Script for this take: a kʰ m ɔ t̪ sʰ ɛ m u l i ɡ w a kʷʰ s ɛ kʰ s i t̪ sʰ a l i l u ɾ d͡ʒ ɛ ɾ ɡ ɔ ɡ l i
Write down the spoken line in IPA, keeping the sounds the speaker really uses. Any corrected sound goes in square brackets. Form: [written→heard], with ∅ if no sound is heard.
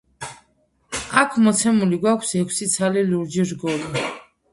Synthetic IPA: a kʰ m ɔ t̪ sʰ ɛ m u l i ɡ w a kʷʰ s ɛ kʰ s i t̪ sʰ a l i l u ɾ d͡ʒ [ɛ→i] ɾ ɡ ɔ [ɡ→∅] l i